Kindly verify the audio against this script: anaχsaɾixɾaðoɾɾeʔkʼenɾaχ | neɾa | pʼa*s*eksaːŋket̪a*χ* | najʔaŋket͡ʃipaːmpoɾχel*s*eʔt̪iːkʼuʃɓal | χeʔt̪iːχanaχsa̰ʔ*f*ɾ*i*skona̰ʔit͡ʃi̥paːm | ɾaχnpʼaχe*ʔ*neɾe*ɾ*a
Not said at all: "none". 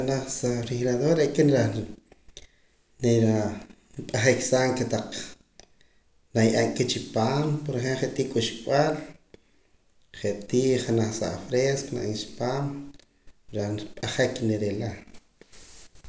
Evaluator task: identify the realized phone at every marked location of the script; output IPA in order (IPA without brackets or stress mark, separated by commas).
χ, q͡χ, χ, f, e, k, l